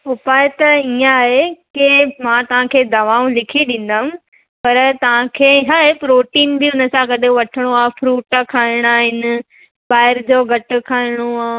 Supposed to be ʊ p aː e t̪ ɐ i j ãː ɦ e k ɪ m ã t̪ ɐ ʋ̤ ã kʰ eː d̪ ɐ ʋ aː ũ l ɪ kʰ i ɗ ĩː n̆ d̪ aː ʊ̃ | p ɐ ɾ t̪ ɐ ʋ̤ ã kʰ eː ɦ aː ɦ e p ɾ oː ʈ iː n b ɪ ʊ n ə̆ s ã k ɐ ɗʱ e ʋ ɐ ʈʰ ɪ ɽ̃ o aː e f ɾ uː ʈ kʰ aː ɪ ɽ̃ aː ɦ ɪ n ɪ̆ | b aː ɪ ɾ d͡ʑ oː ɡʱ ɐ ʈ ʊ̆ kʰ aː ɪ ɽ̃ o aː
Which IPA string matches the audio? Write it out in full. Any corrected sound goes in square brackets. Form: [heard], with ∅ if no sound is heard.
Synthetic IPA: ʊ p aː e t̪ ɐ i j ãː ɦ e k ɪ m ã t̪ ɐ ʋ̤ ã kʰ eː d̪ ɐ ʋ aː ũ l ɪ kʰ i ɗ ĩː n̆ d̪ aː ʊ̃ | p ɐ ɾ t̪ ɐ ʋ̤ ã kʰ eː ɦ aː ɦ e p ɾ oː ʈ iː n b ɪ ʊ n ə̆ s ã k ɐ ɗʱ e ʋ ɐ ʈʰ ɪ ɽ̃ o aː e f ɾ uː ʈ kʰ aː ɪ ɽ̃ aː ɦ ɪ n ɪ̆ | b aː ɪ ɾ d͡ʑ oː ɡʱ ɐ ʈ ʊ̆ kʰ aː ɪ ɽ̃ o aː